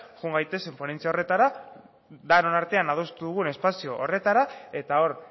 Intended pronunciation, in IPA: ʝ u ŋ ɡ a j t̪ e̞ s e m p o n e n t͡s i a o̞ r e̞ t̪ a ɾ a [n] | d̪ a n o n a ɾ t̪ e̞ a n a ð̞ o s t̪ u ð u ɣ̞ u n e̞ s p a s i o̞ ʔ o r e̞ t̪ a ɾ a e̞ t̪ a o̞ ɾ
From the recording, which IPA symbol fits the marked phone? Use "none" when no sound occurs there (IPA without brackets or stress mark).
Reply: none